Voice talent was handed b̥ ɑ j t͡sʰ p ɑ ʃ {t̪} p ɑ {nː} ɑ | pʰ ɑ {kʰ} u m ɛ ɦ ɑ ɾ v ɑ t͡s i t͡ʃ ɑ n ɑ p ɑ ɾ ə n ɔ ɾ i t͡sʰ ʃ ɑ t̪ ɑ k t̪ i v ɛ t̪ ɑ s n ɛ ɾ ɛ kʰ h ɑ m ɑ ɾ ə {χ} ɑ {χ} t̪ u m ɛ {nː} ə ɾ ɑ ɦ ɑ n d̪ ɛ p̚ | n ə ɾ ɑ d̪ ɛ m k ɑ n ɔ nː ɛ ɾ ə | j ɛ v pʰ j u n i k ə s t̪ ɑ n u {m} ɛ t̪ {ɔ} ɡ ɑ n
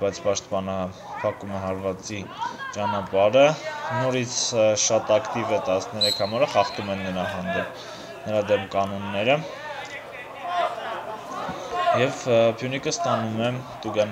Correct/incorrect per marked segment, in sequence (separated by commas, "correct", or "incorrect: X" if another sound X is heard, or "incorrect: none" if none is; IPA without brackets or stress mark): correct, incorrect: n, incorrect: k, correct, correct, correct, correct, incorrect: u